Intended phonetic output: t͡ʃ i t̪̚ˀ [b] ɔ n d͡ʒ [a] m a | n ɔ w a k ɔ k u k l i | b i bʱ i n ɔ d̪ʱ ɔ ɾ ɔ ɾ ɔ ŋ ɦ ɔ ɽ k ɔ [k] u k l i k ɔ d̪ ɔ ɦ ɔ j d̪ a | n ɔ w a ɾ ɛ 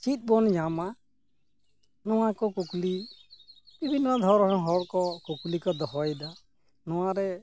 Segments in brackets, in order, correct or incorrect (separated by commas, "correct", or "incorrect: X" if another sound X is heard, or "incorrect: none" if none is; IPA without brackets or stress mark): correct, correct, correct